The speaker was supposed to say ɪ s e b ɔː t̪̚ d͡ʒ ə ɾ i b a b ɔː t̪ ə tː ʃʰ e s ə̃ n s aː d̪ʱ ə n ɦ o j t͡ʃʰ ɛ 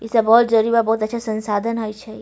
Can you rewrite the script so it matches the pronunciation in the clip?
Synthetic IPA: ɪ s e b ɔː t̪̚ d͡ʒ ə ɾ i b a b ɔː t̪ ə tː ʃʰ a s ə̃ n s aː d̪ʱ ə n ɦ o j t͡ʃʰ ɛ